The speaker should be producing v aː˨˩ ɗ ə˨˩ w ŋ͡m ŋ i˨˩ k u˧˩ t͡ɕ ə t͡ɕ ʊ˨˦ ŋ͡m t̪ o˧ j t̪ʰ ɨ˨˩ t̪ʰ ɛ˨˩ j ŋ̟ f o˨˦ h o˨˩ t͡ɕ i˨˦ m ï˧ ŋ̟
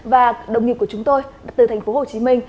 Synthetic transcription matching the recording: v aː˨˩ ɗ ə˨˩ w ŋ͡m ŋ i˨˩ k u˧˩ ə t͡ɕ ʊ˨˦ ŋ͡m t̪ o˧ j t̪ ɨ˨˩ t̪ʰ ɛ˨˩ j ŋ̟ f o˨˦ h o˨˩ t͡ɕ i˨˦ m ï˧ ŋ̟